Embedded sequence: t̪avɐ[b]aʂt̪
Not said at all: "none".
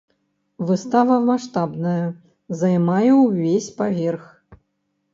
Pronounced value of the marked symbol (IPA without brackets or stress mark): m